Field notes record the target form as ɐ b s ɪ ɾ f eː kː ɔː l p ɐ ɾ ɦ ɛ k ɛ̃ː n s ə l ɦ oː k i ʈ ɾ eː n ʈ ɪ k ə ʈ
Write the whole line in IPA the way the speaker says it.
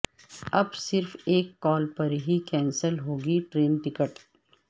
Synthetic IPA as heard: ɐ b s ɪ ɾ f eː kː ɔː l p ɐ ɾ ɦ i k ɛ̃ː n s ə l ɦ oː ɡ i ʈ ɾ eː n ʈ ɪ k ə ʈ